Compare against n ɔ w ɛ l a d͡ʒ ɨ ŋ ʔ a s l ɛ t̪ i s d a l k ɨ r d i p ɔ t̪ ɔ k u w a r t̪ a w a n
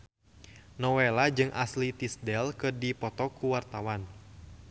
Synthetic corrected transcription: n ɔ w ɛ l a d͡ʒ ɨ ŋ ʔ a s l i t̪ i s d ɛ l k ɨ r d i p ɔ t̪ ɔ k u w a r t̪ a w a n